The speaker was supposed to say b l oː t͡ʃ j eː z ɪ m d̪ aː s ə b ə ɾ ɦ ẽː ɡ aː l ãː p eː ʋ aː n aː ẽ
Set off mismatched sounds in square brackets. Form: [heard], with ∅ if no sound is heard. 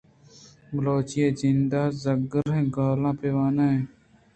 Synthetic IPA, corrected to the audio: b l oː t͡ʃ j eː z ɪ [n] d̪ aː [z] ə [ɡ] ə ɾ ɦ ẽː ɡ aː l ãː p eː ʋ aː n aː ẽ

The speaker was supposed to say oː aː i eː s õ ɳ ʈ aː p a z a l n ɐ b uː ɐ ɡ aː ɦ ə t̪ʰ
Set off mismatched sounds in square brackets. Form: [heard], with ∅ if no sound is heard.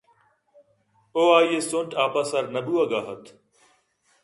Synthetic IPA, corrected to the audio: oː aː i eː s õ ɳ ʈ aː p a [s] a [ɾ] n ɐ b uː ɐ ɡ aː ɦ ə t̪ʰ

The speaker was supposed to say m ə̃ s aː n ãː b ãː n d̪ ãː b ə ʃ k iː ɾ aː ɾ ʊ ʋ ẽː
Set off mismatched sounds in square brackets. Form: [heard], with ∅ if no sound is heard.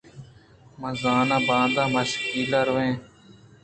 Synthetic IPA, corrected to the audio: m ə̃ [z] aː n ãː b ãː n d̪ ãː [m] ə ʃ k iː [l] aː ɾ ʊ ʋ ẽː

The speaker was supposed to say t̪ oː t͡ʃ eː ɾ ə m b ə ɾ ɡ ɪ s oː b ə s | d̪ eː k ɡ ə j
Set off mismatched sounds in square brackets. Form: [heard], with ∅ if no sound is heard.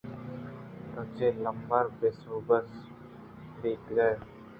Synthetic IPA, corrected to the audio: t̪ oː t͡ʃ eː [l] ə m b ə ɾ [b] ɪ s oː b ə s | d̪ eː k ɡ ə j

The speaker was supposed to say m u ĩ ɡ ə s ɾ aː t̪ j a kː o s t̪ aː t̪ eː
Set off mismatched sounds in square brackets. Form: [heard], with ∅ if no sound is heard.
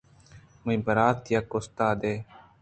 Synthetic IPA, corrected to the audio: m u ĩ [b] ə [∅] ɾ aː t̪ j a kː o s t̪ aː [d̪] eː

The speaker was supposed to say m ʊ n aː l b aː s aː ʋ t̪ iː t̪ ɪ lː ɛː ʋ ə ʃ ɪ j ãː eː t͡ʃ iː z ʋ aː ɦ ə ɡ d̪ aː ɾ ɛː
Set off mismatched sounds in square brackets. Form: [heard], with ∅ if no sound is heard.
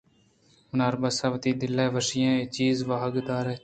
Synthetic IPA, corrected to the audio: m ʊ n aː [ɾ] b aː s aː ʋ t̪ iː [d̪] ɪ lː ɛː ʋ ə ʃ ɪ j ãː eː t͡ʃ iː z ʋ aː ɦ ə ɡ d̪ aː ɾ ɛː

